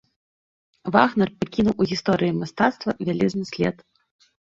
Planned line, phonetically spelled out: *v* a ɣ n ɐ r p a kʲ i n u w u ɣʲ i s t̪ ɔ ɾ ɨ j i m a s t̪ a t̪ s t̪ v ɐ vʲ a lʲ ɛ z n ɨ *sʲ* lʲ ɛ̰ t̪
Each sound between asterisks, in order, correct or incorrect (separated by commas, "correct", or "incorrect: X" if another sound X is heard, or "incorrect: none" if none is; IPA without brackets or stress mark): correct, correct